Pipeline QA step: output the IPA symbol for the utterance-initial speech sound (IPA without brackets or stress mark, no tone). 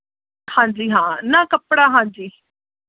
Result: h